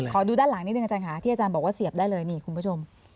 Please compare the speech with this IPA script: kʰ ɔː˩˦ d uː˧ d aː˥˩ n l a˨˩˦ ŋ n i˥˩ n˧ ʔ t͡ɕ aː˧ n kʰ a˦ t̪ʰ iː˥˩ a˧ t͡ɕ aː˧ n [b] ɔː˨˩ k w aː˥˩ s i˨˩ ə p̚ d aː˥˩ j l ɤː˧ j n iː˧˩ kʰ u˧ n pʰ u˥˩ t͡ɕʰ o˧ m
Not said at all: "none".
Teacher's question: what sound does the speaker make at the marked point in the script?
b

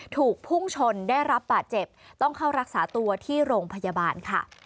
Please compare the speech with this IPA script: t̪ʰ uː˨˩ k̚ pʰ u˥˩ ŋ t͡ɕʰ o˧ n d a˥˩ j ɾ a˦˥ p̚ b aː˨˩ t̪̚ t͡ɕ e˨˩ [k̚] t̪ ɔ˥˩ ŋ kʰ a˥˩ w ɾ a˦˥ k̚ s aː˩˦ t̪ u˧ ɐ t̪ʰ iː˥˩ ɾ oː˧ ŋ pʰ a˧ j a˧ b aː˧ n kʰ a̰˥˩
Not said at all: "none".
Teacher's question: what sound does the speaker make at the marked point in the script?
p̚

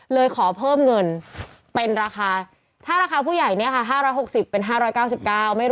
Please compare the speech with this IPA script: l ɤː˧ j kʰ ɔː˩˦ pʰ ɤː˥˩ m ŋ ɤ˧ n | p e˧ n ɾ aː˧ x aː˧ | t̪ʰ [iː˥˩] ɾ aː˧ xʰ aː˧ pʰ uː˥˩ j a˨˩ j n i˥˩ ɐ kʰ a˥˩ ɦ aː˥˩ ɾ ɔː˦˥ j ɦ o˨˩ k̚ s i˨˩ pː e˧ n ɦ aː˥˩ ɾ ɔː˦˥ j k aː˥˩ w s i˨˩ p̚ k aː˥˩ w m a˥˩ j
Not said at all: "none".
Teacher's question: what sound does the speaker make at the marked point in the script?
aː˥˩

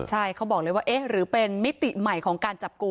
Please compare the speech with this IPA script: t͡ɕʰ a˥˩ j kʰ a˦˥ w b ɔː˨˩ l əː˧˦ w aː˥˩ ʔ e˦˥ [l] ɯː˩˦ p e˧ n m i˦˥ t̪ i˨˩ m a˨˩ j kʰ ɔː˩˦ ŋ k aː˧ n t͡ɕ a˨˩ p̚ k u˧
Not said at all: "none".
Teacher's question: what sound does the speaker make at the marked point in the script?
ɾ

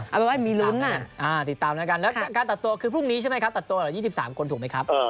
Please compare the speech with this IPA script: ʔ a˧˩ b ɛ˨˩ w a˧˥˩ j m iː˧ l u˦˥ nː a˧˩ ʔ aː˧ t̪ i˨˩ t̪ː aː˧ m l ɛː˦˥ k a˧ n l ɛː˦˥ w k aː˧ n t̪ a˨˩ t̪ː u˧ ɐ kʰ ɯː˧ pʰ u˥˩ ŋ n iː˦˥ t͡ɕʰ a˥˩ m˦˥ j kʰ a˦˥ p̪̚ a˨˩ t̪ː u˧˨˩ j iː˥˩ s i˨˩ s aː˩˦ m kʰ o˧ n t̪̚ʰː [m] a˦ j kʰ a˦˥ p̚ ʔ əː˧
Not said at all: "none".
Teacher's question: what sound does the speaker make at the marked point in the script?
m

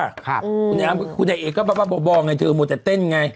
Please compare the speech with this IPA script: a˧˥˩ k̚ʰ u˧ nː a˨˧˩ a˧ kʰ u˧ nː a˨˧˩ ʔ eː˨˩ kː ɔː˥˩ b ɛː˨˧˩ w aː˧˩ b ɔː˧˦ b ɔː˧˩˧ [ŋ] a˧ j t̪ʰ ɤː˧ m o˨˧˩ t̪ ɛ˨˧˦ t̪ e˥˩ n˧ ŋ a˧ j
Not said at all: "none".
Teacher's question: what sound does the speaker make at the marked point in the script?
ŋ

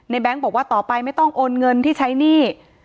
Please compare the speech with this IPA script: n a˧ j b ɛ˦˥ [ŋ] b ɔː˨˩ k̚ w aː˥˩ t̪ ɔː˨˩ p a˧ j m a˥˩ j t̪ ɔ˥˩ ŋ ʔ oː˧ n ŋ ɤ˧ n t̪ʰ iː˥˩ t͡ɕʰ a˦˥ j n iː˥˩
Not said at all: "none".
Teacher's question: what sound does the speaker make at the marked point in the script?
ŋ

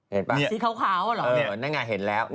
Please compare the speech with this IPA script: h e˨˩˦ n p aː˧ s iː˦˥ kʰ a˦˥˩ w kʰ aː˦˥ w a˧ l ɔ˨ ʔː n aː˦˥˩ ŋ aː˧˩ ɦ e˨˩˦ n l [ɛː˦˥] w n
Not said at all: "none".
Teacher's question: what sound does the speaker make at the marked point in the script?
ɛː˦˥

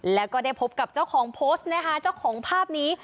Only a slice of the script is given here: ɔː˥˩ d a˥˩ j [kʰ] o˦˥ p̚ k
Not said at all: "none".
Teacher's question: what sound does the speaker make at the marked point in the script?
pʰ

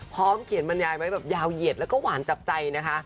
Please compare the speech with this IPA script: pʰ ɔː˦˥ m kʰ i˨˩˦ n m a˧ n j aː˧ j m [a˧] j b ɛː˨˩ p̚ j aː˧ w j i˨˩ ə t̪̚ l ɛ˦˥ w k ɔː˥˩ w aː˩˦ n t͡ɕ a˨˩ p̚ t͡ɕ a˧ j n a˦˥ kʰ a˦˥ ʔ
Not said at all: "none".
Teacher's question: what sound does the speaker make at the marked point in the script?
a˦˥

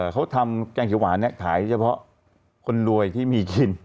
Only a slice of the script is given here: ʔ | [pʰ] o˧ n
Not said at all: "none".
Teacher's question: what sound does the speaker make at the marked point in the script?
kʰ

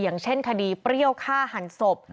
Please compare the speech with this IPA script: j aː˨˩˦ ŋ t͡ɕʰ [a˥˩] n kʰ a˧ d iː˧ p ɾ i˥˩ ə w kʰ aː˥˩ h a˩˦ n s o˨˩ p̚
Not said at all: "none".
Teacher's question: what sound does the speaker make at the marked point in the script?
e˥˩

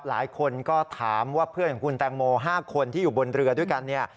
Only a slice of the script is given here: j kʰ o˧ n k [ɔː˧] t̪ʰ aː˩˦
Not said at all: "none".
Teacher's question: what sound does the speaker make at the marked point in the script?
ɔː˥˩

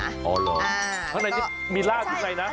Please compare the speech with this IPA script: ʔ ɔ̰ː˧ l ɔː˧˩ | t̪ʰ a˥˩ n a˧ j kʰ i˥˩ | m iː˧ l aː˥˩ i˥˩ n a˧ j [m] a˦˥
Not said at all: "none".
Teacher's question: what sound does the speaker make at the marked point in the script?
n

